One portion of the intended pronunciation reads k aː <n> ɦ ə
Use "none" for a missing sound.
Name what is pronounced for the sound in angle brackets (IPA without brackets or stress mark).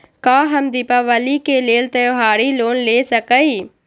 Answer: none